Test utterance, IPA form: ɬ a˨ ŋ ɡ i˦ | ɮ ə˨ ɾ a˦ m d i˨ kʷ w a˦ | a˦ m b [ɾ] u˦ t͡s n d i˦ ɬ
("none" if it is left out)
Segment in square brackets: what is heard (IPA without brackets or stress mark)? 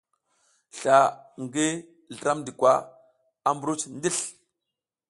ɾ